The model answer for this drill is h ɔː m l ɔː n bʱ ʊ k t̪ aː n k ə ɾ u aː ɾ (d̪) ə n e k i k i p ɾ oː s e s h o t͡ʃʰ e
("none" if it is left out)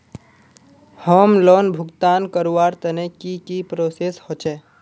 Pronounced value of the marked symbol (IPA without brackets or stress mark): t̪